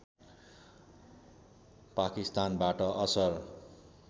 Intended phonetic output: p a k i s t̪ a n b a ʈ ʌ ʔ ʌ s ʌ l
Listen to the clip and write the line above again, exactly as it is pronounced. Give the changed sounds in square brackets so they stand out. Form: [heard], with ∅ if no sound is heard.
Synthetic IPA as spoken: p a k i s t̪ a n b a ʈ ʌ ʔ ʌ s ʌ [r]